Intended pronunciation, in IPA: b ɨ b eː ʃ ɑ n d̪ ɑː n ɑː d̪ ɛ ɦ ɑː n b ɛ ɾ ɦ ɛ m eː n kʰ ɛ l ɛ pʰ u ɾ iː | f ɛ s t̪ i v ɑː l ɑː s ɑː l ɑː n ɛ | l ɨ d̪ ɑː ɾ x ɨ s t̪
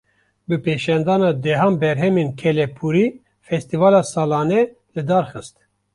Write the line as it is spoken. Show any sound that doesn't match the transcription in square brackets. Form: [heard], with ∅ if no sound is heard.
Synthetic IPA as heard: b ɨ [p] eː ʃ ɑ n d̪ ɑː n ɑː d̪ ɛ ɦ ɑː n b ɛ ɾ ɦ ɛ m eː n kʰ ɛ l ɛ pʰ u ɾ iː | f ɛ s t̪ i v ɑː l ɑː s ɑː l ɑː n ɛ | l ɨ d̪ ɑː ɾ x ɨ s t̪